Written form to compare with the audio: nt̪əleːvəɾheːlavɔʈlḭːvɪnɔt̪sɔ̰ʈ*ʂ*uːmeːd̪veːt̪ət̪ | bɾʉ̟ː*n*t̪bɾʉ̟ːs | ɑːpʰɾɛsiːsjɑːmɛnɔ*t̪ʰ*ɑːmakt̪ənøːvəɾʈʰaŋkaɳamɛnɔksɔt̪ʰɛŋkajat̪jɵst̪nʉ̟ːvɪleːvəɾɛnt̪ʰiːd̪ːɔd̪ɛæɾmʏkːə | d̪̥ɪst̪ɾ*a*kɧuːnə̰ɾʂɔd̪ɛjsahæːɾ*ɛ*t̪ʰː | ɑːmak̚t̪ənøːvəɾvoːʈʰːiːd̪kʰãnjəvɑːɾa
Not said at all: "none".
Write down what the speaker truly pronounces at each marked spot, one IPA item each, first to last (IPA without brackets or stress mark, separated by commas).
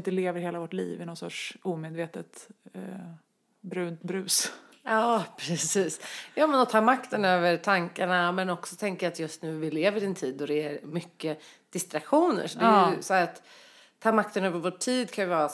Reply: ʂ, n, t̪ʰ, a, a